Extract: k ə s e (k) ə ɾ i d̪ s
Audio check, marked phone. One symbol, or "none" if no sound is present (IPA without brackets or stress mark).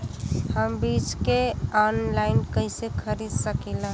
kʰ